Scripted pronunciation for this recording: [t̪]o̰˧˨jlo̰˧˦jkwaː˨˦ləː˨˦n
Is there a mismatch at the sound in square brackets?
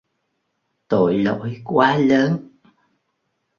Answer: no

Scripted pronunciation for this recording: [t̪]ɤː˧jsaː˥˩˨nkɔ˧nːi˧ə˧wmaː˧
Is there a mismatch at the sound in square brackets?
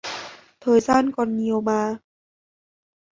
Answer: yes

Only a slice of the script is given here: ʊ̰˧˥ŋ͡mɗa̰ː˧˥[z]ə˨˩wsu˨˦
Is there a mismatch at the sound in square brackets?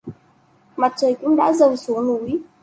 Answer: no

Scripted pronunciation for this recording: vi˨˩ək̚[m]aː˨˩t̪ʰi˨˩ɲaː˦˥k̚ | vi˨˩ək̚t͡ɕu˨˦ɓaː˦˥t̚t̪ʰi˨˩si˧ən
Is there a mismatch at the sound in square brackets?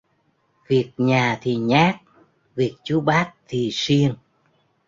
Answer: yes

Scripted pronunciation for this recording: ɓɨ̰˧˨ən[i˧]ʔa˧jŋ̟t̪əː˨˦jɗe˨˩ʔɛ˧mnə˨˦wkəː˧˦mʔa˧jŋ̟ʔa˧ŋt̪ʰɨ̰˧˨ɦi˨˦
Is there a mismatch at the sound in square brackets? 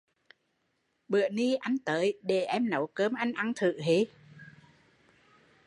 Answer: no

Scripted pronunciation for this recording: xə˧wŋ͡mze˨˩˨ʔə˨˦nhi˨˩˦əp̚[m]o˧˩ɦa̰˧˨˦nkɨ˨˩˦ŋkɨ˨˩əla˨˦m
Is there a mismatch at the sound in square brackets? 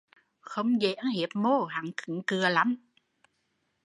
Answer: no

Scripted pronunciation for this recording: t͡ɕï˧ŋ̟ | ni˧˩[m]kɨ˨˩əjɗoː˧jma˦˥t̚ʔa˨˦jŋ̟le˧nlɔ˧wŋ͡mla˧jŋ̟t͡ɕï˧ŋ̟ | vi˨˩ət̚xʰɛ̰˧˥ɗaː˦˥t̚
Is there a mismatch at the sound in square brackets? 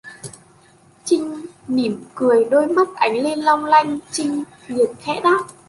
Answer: no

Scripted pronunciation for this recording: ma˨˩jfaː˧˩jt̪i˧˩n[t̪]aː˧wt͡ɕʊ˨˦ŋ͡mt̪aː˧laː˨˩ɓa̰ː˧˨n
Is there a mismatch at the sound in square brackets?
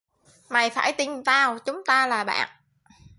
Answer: no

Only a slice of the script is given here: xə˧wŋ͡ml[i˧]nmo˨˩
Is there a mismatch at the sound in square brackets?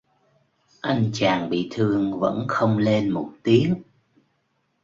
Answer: yes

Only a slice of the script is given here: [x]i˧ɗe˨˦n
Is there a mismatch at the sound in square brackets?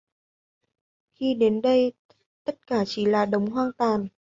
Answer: no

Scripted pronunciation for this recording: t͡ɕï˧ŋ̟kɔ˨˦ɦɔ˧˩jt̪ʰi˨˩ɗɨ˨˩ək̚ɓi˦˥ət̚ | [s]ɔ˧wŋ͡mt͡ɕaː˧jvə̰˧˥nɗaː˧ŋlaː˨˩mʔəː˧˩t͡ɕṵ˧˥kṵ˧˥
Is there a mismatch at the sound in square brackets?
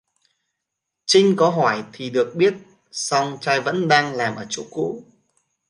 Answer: no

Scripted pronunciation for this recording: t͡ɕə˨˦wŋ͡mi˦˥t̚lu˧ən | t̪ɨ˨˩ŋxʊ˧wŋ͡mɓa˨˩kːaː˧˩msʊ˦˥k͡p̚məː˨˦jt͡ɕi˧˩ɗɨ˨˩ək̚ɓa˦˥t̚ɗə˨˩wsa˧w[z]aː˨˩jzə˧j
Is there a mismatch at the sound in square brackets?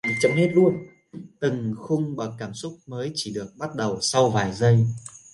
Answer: yes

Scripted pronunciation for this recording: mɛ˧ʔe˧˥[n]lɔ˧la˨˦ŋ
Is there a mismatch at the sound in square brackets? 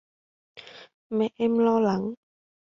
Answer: yes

